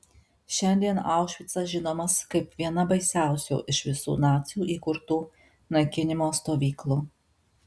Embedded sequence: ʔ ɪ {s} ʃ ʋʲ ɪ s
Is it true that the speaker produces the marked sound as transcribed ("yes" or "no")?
no